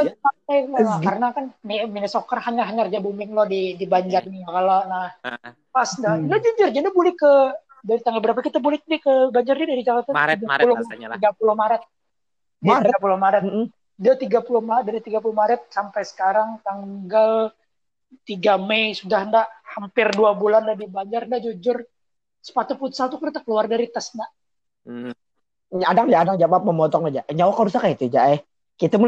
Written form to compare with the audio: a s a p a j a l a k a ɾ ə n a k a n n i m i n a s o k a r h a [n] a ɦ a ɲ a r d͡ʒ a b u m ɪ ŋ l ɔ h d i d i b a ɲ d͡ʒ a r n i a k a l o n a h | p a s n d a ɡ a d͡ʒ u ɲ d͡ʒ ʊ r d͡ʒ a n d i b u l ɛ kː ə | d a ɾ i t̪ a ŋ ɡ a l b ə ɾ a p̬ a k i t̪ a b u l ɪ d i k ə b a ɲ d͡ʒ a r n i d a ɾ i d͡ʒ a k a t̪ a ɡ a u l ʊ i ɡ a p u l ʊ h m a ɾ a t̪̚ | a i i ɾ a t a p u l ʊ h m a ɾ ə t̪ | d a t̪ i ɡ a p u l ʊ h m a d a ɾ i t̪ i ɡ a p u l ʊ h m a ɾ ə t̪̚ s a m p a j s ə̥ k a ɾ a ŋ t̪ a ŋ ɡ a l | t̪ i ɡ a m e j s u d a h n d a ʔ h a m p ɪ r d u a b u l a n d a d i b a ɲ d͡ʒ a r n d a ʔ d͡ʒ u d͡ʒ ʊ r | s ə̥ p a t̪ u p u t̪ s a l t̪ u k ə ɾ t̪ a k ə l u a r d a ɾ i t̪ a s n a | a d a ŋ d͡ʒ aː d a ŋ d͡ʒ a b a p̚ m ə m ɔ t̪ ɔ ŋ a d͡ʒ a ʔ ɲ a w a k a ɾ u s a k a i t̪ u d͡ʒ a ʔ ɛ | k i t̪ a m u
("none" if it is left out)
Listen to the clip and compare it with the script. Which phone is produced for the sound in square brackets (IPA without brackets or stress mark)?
ɲ